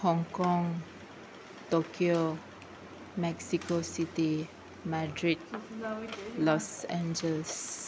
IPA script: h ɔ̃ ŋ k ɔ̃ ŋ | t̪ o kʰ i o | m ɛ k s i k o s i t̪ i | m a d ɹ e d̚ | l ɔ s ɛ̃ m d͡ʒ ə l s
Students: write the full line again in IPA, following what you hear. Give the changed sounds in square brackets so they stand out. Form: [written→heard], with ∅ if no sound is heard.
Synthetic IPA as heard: h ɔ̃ ŋ k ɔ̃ ŋ | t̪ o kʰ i o | m ɛ k s i k o s i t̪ i | m a d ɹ [e→i] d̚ | l ɔ s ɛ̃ [m→n] d͡ʒ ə l s